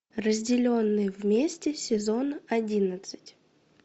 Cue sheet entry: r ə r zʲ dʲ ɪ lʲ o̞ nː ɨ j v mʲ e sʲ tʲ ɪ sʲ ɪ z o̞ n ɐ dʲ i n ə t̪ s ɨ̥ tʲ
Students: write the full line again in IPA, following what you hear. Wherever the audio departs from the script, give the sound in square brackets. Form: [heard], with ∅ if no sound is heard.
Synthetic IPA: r ə [∅] zʲ dʲ ɪ lʲ o̞ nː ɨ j v mʲ e sʲ tʲ ɪ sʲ ɪ z o̞ n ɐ dʲ i n ə t̪ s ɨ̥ tʲ

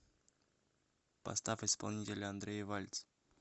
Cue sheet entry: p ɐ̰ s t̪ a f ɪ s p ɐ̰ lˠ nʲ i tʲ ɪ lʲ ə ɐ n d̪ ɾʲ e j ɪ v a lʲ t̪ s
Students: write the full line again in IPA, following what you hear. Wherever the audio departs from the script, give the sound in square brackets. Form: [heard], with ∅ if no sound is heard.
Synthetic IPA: p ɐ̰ s t̪ a f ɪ s p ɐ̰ lˠ nʲ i tʲ ɪ lʲ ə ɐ n d̪ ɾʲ e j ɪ v a lʲ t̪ s

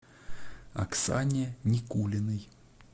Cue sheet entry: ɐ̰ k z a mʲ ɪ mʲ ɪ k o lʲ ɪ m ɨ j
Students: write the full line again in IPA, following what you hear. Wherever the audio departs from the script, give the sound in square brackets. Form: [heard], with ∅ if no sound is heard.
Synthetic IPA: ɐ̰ k [s] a [nʲ] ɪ [nʲ] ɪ k [u] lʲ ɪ [n] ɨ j

